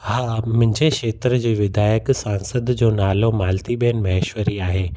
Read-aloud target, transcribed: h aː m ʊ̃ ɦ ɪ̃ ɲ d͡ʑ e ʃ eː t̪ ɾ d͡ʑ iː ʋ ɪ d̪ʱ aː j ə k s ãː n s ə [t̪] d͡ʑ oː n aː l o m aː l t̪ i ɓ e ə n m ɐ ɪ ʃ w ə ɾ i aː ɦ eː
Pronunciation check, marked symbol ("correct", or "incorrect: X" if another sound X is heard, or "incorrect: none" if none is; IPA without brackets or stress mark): incorrect: d̪